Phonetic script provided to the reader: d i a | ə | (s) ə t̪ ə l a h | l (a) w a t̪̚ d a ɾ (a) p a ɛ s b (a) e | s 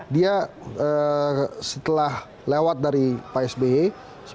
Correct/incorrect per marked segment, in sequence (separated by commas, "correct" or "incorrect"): correct, incorrect, incorrect, incorrect